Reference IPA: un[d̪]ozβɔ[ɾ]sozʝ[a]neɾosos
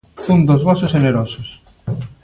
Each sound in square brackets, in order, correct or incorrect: correct, incorrect: none, incorrect: e

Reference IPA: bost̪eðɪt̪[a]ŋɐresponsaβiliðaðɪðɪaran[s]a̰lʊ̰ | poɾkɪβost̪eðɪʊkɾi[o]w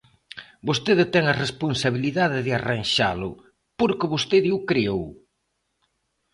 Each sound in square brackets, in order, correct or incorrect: incorrect: ɛ, incorrect: ʃ, correct

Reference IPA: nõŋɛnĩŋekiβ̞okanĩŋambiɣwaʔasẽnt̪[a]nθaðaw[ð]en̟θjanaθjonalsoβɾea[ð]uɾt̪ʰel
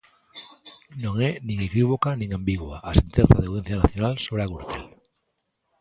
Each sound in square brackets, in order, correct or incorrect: incorrect: e, correct, incorrect: ɣ

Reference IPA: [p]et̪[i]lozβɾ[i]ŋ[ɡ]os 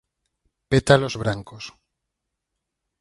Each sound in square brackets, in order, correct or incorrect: correct, incorrect: a, incorrect: a, incorrect: k

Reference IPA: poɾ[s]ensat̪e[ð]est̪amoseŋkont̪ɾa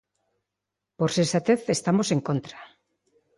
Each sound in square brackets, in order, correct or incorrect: correct, incorrect: θ

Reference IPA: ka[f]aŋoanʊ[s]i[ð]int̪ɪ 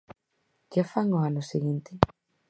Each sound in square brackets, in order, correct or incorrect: correct, correct, incorrect: ɣ

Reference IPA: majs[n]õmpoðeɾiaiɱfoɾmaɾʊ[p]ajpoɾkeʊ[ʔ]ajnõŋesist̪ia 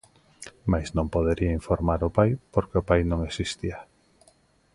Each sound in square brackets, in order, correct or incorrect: correct, correct, incorrect: p

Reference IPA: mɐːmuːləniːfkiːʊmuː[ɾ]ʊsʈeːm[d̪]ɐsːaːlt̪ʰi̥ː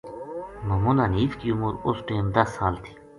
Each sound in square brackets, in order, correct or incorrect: correct, correct

